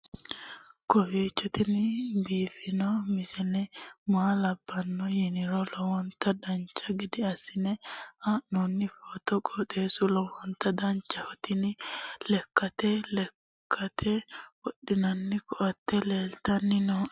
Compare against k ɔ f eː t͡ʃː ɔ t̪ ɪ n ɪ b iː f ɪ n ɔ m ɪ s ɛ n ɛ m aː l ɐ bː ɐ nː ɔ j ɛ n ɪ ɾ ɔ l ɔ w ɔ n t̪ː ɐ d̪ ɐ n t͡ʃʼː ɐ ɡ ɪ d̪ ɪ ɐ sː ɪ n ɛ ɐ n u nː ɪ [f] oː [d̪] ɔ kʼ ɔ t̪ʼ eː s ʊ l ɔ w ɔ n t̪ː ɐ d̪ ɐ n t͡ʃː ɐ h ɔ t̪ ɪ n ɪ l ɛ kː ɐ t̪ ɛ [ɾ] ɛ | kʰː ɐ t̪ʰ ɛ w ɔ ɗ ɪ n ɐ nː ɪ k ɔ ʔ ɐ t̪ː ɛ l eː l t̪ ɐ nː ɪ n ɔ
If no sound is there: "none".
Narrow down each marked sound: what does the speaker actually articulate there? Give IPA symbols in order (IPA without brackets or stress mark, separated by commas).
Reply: f, t̪, l